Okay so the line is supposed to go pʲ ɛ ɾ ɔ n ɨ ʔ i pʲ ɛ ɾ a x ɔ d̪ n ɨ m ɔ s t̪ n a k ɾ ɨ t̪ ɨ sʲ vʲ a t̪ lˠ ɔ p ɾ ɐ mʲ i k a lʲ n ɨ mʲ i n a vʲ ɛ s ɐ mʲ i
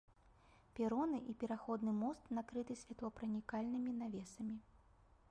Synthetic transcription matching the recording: pʲ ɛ ɾ ɔ n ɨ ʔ i pʲ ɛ ɾ a x ɔ d̪ n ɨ m ɔ s t̪ n a k ɾ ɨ t̪ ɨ sʲ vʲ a t̪ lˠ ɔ p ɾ ɐ nʲ i k a lʲ n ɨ mʲ i n a vʲ ɛ s ɐ mʲ i